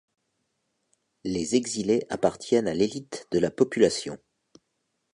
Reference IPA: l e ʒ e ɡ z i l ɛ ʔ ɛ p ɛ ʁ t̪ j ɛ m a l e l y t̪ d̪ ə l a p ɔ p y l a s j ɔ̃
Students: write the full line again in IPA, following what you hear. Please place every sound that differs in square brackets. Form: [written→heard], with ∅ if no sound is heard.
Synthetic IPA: l e [ʒ→z] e ɡ z i l [ɛ→e] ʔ [ɛ→a] p [ɛ→a] ʁ t̪ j ɛ [m→n] a l e l [y→i] t̪ d̪ ə l a p ɔ p y l a s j ɔ̃

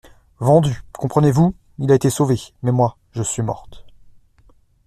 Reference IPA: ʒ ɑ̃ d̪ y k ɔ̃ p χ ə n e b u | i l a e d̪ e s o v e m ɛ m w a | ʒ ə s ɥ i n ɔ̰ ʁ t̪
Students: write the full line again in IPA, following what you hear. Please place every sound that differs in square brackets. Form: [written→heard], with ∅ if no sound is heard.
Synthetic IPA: [ʒ→v] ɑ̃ d̪ y k ɔ̃ p χ ə n e [b→v] u | i l a e [d̪→t̪] e s o v e m ɛ m w a | ʒ ə s ɥ i [n→m] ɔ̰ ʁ t̪

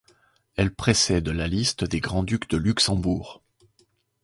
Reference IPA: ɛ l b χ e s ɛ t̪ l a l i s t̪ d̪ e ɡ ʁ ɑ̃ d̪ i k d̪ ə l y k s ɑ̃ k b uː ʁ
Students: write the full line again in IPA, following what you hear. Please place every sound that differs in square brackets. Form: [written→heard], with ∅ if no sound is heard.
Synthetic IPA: ɛ l [b→p] χ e s ɛ [t̪→d̪] l a l i s t̪ d̪ e ɡ ʁ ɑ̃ d̪ [i→y] k d̪ ə l y k s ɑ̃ [k→∅] b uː ʁ

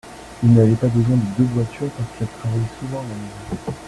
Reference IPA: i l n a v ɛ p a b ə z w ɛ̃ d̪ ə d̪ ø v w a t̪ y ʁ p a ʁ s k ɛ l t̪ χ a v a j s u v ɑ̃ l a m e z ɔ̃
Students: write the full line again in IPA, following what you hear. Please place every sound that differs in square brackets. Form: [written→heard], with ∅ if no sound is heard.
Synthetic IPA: i l n a v ɛ p a b ə z w ɛ̃ d̪ ə d̪ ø v w a t̪ y ʁ p a ʁ s k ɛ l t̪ χ a v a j s u v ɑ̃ l a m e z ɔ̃

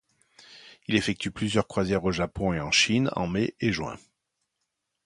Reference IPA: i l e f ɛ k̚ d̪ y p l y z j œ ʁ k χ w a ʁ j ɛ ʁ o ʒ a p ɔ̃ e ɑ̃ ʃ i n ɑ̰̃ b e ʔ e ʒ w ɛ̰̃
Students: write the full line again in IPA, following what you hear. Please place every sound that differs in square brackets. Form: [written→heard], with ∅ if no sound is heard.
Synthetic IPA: i l e f ɛ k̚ [d̪→t̪] y p l y z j œ ʁ k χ w a [ʁ→z] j ɛ ʁ o ʒ a p ɔ̃ e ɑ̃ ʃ i n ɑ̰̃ [b→m] e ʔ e ʒ w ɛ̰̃

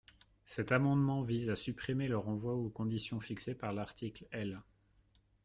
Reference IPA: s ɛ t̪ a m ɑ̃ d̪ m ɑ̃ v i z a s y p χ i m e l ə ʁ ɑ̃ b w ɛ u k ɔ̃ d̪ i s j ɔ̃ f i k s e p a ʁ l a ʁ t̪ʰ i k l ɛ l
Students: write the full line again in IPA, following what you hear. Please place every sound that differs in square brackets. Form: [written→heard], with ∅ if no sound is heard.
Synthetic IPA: s ɛ t̪ a m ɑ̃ d̪ m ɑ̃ v i z a s y p χ i m e l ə ʁ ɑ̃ [b→v] w [ɛ→a] u k ɔ̃ d̪ i s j ɔ̃ f i k s e p a ʁ l a ʁ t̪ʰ i k l ɛ l

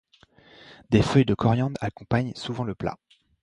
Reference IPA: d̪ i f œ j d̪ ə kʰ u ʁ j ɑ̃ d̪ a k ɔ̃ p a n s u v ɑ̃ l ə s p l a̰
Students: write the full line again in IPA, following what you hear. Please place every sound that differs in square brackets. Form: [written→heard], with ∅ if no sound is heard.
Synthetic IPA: d̪ [i→e] f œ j d̪ ə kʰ [u→ɔ] ʁ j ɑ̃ d̪ a k ɔ̃ p a [n→ɲ] s u v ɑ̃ l ə [s→∅] p l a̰

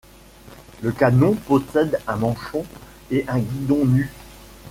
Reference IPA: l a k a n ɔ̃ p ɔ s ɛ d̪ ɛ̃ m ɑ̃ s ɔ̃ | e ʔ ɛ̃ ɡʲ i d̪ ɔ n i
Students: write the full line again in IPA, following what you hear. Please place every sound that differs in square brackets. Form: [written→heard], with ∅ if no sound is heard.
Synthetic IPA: l [a→ə] k a n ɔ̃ p ɔ s ɛ d̪ ɛ̃ m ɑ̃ [s→ʃ] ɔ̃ | e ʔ ɛ̃ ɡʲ i d̪ [ɔ→ɔ̃] n [i→y]

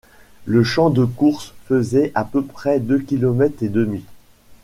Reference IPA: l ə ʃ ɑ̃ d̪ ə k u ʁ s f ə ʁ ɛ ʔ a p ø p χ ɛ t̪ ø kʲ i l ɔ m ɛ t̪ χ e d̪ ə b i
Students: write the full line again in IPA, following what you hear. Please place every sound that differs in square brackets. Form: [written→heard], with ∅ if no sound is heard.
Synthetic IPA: l ə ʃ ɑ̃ d̪ ə k u ʁ s f ə [ʁ→z] ɛ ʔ a p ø p χ ɛ [t̪→d̪] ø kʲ i l ɔ m ɛ t̪ χ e d̪ ə [b→m] i

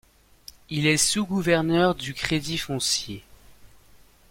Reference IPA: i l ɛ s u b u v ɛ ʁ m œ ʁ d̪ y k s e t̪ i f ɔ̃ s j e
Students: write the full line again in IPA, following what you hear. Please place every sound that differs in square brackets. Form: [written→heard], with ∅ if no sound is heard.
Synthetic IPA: i l ɛ s u [b→ɡ] u v ɛ ʁ [m→n] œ ʁ d̪ y k [s→χ] e [t̪→d̪] i f ɔ̃ s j e

